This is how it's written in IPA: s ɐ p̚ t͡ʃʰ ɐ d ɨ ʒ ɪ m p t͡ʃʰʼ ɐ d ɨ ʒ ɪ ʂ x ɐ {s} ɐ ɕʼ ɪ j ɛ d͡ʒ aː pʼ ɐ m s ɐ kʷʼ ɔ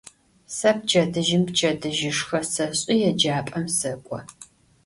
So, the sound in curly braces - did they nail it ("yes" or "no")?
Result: yes